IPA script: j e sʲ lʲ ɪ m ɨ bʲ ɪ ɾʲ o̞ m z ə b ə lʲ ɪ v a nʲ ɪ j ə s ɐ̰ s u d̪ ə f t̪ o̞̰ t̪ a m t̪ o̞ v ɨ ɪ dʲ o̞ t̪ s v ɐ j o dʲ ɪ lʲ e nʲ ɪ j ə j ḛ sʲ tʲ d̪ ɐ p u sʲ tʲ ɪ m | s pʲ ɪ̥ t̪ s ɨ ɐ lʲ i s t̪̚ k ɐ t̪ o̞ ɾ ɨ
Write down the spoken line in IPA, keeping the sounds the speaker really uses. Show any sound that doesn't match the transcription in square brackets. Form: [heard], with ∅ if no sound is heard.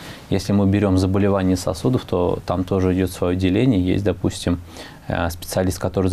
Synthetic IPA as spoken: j e sʲ lʲ ɪ m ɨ bʲ ɪ ɾʲ o̞ m z ə b ə lʲ ɪ v a nʲ ɪ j ə s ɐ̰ s u d̪ ə f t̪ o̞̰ t̪ a m t̪ o̞ [ʐ] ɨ ɪ dʲ o̞ t̪ s v ɐ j o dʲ ɪ lʲ e nʲ ɪ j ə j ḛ sʲ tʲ d̪ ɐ p u sʲ tʲ ɪ m | s pʲ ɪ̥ t̪ s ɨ ɐ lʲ i s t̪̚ k ɐ t̪ o̞ ɾ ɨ